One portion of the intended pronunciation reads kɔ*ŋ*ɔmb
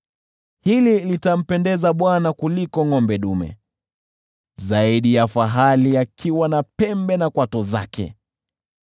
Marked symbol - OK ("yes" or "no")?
yes